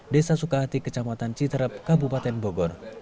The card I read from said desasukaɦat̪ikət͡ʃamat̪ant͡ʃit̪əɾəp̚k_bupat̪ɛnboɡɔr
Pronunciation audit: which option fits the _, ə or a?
a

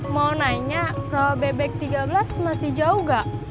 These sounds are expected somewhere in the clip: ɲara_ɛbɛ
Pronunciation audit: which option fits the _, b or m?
b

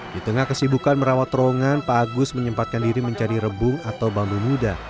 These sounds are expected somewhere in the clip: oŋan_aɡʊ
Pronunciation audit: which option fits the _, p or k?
p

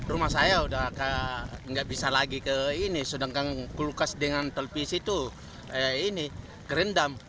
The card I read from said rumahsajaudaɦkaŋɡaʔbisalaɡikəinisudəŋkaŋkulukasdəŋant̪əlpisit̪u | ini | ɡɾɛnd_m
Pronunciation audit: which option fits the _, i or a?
a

